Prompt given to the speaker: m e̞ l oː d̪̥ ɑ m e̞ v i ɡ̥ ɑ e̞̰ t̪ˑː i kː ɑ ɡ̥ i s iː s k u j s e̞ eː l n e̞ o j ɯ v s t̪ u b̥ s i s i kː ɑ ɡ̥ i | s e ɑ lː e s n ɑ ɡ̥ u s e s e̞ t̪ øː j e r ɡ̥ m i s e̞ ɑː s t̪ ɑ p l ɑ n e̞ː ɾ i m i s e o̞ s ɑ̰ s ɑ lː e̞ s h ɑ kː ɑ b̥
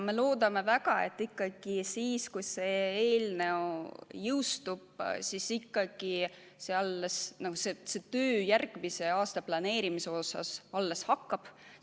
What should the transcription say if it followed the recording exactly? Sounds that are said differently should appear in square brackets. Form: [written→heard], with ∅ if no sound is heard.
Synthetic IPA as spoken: m e̞ l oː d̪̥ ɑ m e̞ v [i→æ] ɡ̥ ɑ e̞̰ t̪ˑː i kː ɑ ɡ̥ i s iː s k u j s e̞ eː l n e̞ o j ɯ [v→w] s t̪ u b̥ s i s i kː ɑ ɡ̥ i | s e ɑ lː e s n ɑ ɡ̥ u s e s e̞ t̪ øː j [e→æ] r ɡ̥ m i s e̞ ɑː s t̪ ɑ p l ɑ n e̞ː ɾ i m i s e o̞ s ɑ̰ s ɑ lː e̞ s h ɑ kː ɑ b̥